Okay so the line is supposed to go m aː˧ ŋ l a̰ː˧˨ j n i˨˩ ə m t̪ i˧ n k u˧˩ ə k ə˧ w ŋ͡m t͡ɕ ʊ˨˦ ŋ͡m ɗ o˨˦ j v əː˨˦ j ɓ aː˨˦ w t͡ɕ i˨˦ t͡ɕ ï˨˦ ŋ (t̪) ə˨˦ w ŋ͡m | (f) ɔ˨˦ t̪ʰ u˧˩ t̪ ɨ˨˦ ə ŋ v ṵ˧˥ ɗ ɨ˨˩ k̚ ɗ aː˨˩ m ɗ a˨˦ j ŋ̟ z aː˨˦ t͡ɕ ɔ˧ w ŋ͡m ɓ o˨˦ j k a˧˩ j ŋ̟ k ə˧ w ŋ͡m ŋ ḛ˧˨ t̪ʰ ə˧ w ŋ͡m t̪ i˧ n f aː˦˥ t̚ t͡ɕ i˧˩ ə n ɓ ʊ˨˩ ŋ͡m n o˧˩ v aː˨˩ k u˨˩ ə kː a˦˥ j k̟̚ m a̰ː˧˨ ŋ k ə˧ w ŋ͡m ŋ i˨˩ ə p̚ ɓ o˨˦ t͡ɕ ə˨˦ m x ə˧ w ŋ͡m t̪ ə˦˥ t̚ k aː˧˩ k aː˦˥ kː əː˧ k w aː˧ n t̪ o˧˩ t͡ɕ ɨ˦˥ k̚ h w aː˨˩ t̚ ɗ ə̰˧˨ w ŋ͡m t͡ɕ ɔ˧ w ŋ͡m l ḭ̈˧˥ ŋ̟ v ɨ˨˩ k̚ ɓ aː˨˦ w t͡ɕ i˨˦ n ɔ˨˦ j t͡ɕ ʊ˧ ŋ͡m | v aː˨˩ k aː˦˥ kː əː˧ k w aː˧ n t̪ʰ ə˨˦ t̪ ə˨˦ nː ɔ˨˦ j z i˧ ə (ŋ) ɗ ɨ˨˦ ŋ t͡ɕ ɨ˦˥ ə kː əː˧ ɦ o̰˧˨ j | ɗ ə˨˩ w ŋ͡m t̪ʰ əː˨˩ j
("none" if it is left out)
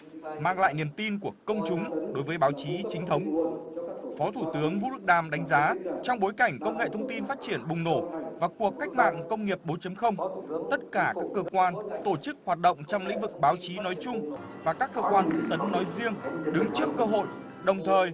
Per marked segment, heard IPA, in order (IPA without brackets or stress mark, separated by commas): t̪ʰ, f, ŋ